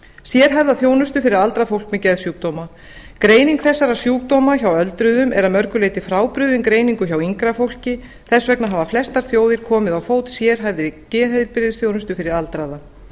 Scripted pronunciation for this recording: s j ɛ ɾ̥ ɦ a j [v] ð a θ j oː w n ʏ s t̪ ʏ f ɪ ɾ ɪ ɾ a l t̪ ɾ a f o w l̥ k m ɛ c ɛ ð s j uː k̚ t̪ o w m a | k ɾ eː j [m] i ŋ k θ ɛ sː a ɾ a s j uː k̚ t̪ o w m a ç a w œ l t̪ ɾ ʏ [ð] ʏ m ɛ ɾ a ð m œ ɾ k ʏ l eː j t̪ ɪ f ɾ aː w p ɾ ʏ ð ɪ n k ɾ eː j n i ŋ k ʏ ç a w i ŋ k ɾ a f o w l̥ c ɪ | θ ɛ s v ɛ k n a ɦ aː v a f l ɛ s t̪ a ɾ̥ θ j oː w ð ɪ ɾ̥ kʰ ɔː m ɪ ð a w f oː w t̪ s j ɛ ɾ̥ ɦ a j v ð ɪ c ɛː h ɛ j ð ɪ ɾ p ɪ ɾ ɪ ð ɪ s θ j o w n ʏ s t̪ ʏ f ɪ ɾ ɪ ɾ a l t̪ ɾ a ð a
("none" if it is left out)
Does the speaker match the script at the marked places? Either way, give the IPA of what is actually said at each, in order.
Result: v, n, ð

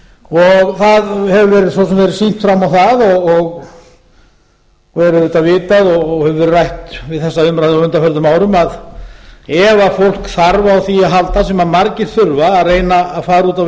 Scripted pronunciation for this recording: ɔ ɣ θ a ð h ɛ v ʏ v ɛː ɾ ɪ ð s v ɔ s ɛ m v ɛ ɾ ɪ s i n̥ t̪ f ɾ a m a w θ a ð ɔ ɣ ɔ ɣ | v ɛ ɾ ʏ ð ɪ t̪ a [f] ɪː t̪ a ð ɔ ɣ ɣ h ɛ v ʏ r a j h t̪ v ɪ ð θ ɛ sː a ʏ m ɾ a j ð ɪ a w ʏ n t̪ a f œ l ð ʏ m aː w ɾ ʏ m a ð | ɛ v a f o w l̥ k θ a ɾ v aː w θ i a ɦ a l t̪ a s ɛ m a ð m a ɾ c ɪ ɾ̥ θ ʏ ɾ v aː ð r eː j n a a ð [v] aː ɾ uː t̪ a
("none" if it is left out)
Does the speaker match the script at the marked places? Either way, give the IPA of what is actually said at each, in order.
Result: v, f

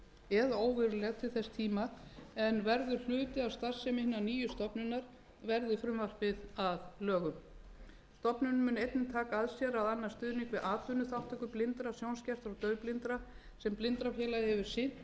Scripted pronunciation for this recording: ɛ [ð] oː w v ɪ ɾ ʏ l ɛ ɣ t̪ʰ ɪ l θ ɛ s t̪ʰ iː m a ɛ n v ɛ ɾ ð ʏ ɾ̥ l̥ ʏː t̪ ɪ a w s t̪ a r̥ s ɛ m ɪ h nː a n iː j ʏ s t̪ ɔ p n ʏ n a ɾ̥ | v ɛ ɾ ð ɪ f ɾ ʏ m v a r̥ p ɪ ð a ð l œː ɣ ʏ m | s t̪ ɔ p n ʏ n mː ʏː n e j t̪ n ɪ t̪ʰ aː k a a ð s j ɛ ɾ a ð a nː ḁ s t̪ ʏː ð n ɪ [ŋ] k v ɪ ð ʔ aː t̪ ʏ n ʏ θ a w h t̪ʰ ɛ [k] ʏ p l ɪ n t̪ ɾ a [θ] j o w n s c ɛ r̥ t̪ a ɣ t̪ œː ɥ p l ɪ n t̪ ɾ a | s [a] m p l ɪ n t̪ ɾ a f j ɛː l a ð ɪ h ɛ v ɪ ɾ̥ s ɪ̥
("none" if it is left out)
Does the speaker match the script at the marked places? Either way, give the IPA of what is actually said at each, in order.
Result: ð, ŋ, k, s, ɛ

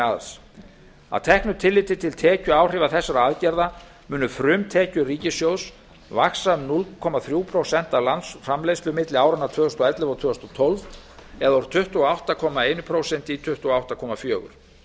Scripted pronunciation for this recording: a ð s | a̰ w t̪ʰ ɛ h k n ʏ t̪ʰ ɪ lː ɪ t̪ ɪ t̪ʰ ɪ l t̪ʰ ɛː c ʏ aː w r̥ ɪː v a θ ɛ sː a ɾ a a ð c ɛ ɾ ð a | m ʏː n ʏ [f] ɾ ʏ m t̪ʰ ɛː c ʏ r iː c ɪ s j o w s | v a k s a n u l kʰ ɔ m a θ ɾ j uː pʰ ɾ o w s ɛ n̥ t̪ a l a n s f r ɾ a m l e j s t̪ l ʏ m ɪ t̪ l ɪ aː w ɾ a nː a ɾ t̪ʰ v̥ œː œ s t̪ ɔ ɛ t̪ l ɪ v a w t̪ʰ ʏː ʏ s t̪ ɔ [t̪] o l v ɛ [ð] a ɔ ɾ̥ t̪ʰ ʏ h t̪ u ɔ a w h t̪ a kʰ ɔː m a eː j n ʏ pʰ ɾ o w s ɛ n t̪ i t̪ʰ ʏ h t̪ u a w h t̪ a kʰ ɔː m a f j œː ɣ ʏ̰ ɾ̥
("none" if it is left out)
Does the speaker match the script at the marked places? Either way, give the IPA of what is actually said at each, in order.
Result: f, t̪ʰ, ð

